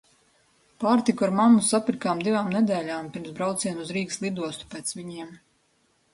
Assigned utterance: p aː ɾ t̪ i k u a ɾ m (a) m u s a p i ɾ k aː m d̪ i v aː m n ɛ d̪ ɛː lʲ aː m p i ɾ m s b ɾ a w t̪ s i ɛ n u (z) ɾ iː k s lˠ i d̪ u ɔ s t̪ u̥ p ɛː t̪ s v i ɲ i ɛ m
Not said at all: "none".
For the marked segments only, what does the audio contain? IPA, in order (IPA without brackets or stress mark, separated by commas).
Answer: a, z